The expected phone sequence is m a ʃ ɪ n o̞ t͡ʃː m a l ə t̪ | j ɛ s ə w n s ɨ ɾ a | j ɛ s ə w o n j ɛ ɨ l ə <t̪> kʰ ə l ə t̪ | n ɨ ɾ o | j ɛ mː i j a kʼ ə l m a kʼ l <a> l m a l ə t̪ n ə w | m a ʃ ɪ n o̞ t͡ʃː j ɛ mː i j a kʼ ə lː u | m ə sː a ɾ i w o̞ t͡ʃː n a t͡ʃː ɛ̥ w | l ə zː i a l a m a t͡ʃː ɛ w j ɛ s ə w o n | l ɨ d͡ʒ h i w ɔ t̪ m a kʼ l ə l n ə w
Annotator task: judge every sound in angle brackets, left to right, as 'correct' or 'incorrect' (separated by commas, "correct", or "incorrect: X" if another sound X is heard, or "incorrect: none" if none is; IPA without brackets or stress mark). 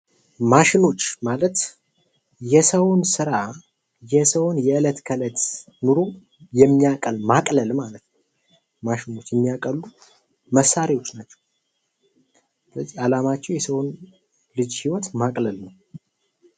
correct, incorrect: ə